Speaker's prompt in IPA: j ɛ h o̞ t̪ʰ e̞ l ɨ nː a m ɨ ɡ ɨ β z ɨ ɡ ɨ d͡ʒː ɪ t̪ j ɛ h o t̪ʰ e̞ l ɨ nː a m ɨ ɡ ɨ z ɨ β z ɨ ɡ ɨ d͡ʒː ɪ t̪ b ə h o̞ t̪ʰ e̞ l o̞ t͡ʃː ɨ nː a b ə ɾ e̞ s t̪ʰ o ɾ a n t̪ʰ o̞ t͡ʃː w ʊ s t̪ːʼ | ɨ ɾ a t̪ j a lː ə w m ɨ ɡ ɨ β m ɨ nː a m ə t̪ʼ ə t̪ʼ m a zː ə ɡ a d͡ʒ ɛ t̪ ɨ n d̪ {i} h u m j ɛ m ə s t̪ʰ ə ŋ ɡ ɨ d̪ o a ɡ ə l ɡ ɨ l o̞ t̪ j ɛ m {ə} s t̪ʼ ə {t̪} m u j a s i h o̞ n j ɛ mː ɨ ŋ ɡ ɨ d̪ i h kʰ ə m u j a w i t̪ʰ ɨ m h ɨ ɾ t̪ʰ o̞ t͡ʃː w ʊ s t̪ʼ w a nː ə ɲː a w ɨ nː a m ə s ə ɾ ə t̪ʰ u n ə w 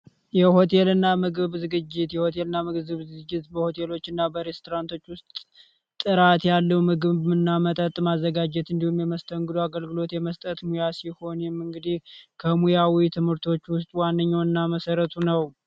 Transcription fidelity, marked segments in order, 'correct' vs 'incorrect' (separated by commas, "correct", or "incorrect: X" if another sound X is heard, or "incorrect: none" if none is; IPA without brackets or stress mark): correct, correct, correct